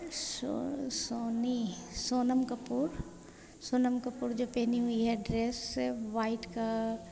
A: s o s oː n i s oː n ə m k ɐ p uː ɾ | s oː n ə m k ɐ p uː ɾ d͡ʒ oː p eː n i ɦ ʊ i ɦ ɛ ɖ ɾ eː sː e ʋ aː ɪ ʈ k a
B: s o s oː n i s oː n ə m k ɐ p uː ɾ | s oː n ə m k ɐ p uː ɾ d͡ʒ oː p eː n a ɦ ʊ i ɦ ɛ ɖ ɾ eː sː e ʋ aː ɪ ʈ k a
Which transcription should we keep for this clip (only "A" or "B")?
A